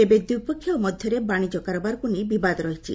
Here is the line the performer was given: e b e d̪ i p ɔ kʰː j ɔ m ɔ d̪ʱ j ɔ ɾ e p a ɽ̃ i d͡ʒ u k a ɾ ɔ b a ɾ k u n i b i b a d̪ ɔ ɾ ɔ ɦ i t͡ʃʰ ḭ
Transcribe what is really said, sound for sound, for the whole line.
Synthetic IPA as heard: e b e d̪ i p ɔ kʰː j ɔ m ɔ d̪ʱ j ɔ ɾ e b a ɽ̃ i d͡ʒ ɔ k a ɾ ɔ b a ɾ k u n i b i b a d̪ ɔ ɾ ɔ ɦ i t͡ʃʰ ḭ